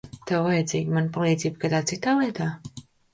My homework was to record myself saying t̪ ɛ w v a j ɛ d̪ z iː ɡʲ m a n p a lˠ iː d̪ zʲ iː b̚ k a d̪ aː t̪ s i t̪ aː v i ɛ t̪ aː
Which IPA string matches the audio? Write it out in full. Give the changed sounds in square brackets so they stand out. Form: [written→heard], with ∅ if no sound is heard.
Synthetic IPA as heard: t̪ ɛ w v a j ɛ d̪ z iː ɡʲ m a n p a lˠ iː d̪ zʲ iː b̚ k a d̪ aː t̪ s i t̪ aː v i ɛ t̪ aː